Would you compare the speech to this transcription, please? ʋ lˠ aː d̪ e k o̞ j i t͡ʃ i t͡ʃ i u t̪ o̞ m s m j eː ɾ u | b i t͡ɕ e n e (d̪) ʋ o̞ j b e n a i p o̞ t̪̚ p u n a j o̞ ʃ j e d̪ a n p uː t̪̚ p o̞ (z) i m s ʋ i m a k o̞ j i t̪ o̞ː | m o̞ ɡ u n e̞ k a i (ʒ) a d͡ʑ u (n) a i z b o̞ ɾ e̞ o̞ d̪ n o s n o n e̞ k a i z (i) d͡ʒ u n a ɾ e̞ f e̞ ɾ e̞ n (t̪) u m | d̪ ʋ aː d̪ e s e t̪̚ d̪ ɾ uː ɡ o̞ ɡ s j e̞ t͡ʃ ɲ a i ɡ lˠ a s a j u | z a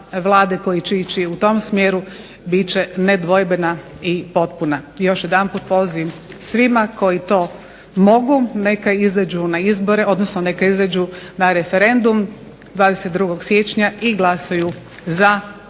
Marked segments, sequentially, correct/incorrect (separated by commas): correct, correct, incorrect, correct, incorrect, incorrect